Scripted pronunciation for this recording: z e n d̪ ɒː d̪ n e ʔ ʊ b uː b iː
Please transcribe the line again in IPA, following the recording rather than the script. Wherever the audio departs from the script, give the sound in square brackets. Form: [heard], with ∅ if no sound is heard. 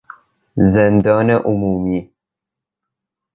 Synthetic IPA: z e n d̪ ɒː [∅] n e ʔ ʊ [m] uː [m] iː